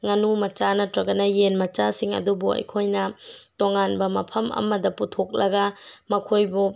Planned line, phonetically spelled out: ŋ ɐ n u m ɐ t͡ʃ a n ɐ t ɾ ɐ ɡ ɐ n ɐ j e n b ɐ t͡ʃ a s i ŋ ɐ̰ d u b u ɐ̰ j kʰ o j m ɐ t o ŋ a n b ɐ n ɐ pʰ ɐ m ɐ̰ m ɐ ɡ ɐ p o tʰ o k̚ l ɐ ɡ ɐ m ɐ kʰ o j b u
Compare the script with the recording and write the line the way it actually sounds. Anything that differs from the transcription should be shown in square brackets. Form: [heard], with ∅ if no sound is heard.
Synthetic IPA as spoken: ŋ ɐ n u m ɐ t͡ʃ a n ɐ t ɾ ɐ ɡ ɐ n ɐ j e n [m] ɐ t͡ʃ a s i ŋ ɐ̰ d u b u ɐ̰ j kʰ o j [n] ɐ t o ŋ a n b ɐ [m] ɐ pʰ ɐ m ɐ̰ m ɐ [d] ɐ p [u] tʰ o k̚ l ɐ ɡ ɐ m ɐ kʰ o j b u